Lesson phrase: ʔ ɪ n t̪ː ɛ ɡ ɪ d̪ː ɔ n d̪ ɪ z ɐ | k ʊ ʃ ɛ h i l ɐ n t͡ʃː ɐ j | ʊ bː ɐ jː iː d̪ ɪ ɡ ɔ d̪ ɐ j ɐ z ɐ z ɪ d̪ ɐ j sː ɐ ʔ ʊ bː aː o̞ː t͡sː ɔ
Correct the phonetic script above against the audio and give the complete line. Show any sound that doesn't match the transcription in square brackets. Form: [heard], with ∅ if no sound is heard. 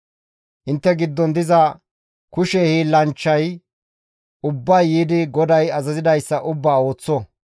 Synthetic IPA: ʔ ɪ n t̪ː ɛ ɡ ɪ d̪ː ɔ n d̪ ɪ z ɐ | k ʊ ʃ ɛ h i l ɐ n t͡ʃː ɐ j | ʊ bː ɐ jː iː d̪ ɪ ɡ ɔ d̪ ɐ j ɐ z ɐ z ɪ d̪ ɐ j sː ɐ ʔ ʊ bː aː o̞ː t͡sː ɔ

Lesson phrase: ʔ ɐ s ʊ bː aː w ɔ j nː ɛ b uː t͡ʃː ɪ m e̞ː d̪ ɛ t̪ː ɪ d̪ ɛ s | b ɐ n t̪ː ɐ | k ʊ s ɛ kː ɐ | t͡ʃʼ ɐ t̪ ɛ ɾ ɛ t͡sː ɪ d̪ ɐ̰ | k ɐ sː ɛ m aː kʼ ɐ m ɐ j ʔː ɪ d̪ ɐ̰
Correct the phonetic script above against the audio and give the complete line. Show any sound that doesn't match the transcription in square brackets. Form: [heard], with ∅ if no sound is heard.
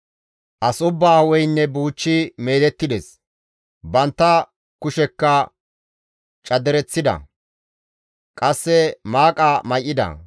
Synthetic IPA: ʔ ɐ s ʊ bː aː w ɔ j nː ɛ b uː t͡ʃː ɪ m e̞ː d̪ ɛ t̪ː ɪ d̪ ɛ s | b ɐ n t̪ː ɐ | k ʊ [ʃ] ɛ kː ɐ | t͡ʃʼ ɐ [d̪] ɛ ɾ ɛ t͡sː ɪ d̪ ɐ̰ | [kʼ] ɐ sː ɛ m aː kʼ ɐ m ɐ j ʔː ɪ d̪ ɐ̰

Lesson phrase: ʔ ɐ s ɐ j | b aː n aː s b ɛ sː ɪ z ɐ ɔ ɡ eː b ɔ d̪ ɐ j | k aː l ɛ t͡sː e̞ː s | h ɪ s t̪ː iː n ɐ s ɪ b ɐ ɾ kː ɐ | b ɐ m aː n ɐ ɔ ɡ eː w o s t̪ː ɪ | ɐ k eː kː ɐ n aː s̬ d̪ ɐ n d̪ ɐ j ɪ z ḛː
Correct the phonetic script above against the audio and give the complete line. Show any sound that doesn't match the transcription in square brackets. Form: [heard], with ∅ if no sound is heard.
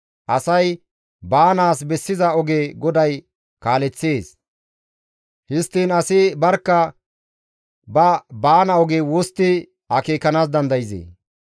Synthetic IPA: ʔ ɐ s ɐ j | b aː n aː s b ɛ sː ɪ z ɐ ɔ ɡ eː [ɡ] ɔ d̪ ɐ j | k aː l ɛ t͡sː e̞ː s | h ɪ s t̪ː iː n ɐ s ɪ b ɐ ɾ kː ɐ | b ɐ [b] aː n ɐ ɔ ɡ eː w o s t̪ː ɪ | ɐ k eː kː ɐ n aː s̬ d̪ ɐ n d̪ ɐ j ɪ z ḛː

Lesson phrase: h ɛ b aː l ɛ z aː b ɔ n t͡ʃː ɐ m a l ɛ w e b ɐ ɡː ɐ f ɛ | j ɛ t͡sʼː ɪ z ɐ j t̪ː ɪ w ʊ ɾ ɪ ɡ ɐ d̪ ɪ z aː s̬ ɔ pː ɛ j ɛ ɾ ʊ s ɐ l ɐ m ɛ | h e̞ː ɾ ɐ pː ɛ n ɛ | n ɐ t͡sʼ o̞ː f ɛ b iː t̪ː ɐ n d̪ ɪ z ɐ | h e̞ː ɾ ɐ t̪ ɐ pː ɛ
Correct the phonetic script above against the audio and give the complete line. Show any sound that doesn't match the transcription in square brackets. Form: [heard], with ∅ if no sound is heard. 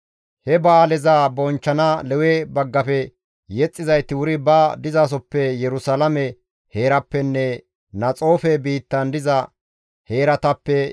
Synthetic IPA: h ɛ b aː l ɛ z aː b ɔ n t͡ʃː ɐ [n] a l ɛ w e b ɐ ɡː ɐ f ɛ | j ɛ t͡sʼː ɪ z ɐ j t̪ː ɪ w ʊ ɾ ɪ [b] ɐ d̪ ɪ z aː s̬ ɔ pː ɛ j ɛ ɾ ʊ s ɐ l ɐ m ɛ | h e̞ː ɾ ɐ pː ɛ [nː] ɛ | n ɐ t͡sʼ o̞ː f ɛ b iː t̪ː ɐ n d̪ ɪ z ɐ | h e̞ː ɾ ɐ t̪ ɐ pː ɛ

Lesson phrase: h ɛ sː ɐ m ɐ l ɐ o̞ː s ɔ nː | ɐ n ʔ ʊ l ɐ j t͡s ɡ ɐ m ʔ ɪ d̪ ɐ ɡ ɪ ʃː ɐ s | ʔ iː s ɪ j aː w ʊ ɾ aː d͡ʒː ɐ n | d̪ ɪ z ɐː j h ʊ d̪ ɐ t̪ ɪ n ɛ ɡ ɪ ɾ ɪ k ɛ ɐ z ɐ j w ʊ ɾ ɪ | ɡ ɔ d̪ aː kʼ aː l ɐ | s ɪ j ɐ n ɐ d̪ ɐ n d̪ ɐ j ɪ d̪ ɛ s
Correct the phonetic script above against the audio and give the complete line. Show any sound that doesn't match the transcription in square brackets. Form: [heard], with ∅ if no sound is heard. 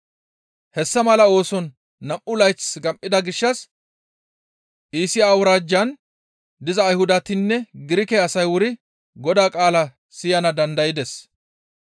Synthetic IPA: h ɛ sː ɐ m ɐ l ɐ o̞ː s ɔ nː | ɐ [m] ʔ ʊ l ɐ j t͡s ɡ ɐ m ʔ ɪ d̪ ɐ ɡ ɪ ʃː ɐ s | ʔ iː s ɪ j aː w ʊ ɾ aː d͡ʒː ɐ n | d̪ ɪ z ɐː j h ʊ d̪ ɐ t̪ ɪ [nː] ɛ ɡ ɪ ɾ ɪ k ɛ ɐ [s] ɐ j w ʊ ɾ ɪ | ɡ ɔ d̪ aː kʼ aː l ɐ | s ɪ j ɐ n ɐ d̪ ɐ n d̪ ɐ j ɪ d̪ ɛ s

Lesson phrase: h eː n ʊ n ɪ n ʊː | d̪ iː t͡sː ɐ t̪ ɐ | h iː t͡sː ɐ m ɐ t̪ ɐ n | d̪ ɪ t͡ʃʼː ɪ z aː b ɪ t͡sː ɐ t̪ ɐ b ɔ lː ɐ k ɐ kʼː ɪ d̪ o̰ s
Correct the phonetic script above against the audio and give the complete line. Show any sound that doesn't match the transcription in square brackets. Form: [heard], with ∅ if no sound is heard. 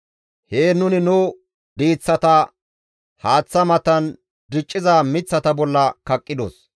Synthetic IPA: h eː n ʊ n ɪ n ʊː | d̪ iː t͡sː ɐ t̪ ɐ | h [aː] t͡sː ɐ m ɐ t̪ ɐ n | d̪ ɪ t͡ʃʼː ɪ z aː [m] ɪ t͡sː ɐ t̪ ɐ b ɔ lː ɐ k ɐ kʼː ɪ d̪ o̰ s

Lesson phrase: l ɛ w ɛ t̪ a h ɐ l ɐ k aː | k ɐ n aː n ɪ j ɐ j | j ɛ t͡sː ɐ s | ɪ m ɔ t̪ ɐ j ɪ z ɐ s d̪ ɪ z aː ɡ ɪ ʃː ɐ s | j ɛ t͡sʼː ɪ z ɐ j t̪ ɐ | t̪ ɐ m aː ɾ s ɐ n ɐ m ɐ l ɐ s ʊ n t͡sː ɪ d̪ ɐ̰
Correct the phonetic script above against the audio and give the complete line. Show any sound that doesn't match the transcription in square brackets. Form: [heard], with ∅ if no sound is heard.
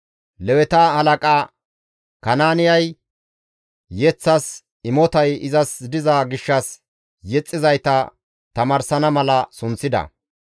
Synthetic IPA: l ɛ w ɛ t̪ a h ɐ l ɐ [kʼ] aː | k ɐ n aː n ɪ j ɐ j | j ɛ t͡sː ɐ s | ɪ m ɔ t̪ ɐ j ɪ z ɐ s d̪ ɪ z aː ɡ ɪ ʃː ɐ s | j ɛ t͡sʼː ɪ z ɐ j t̪ ɐ | t̪ ɐ m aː ɾ s ɐ n ɐ m ɐ l ɐ s ʊ n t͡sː ɪ d̪ ɐ̰

